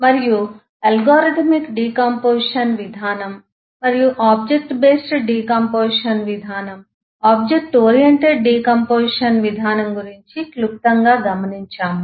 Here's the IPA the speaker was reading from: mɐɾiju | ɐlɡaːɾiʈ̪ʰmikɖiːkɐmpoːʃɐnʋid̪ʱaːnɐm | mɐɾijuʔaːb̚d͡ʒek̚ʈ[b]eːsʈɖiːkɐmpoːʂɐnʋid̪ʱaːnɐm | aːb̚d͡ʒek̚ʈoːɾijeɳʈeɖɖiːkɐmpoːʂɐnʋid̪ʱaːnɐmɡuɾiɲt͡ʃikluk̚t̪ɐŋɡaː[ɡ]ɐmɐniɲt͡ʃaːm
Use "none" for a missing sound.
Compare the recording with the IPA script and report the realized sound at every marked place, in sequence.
b, ɡ

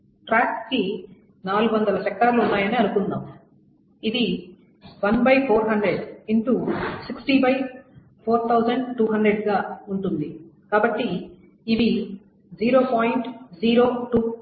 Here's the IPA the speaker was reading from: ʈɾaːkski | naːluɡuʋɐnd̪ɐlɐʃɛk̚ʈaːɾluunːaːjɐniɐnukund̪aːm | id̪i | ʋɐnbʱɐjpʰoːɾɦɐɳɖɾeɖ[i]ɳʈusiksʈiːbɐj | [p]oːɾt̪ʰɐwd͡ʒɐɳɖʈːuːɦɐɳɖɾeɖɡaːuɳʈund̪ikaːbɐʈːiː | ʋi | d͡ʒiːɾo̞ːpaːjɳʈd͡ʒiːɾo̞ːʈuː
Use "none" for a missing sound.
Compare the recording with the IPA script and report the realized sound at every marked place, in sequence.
i, pʰ

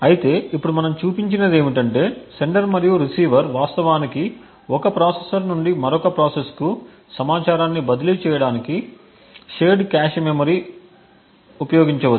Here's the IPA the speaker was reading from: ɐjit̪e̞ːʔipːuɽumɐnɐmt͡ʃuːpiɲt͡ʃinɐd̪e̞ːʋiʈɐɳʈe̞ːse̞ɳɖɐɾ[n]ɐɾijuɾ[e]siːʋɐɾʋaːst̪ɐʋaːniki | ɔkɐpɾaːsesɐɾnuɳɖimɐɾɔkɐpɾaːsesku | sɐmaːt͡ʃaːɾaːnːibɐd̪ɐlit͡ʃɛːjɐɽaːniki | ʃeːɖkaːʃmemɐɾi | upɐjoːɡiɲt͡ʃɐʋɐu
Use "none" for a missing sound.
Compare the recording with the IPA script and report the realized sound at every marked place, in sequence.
m, i

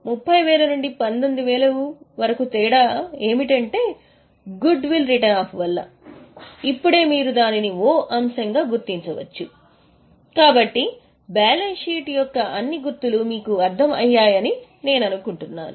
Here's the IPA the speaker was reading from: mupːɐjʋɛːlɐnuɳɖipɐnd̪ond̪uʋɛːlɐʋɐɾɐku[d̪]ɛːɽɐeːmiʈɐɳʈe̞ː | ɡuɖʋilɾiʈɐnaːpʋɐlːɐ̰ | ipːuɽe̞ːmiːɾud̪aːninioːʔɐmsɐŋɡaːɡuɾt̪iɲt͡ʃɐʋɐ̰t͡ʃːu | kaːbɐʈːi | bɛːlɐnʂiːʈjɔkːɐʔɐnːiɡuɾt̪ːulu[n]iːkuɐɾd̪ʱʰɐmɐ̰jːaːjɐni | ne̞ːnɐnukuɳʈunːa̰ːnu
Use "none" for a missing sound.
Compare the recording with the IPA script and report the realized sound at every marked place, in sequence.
t̪, m

